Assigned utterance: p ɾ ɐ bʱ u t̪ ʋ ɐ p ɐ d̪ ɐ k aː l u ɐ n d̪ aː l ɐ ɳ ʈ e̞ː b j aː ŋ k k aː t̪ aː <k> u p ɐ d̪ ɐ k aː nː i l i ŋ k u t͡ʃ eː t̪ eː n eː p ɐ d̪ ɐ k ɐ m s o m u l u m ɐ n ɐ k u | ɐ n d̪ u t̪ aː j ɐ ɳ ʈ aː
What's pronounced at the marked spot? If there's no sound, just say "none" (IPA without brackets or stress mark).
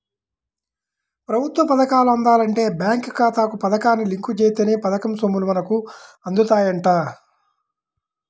k